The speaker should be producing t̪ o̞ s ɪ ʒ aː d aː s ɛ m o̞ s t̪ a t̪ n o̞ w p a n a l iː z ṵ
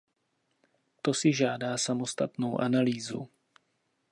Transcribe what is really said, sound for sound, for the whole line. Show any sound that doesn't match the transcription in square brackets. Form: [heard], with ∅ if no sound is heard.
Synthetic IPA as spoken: t̪ o̞ s ɪ ʒ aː d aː s [a] m o̞ s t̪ a t̪ n o̞ w [ʔ] a n a l iː z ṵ